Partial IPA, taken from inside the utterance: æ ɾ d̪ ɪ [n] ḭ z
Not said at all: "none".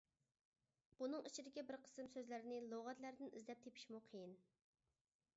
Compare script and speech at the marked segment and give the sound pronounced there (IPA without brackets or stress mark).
n